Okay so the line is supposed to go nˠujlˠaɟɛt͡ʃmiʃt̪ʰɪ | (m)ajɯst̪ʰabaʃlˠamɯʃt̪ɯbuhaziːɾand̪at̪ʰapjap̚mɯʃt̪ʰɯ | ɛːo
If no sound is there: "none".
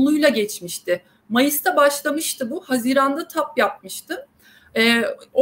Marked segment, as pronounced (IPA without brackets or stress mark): m